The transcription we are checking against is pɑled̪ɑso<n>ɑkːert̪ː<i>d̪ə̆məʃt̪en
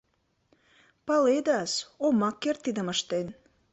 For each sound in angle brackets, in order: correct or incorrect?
incorrect: m, correct

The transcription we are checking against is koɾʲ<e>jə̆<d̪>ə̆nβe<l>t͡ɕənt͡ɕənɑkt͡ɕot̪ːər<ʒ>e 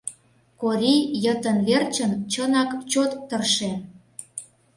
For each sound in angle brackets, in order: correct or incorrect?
incorrect: i, incorrect: t̪, incorrect: r, incorrect: ʃ

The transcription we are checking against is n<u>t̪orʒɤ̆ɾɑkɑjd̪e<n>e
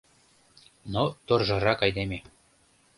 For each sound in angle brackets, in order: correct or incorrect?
incorrect: o, incorrect: m

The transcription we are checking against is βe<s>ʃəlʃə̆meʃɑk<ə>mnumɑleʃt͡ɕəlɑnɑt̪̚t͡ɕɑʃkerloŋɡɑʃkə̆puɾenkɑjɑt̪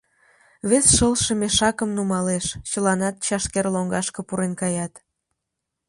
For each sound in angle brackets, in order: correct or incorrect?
correct, correct

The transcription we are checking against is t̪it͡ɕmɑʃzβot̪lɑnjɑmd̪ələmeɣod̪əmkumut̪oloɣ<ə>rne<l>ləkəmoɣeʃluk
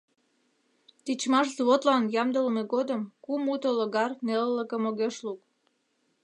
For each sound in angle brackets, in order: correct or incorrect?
incorrect: ɑ, correct

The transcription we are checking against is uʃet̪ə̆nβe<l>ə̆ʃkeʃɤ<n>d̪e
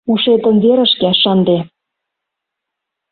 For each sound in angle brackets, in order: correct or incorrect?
incorrect: ɾ, correct

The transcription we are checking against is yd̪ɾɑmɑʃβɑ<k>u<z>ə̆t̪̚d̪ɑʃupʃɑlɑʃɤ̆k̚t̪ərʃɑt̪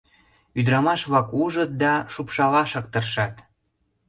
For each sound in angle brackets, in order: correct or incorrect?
correct, incorrect: ʒ

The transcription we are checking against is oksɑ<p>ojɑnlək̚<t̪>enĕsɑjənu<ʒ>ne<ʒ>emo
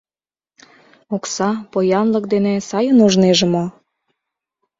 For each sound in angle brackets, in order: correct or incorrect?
correct, incorrect: d̪, correct, correct

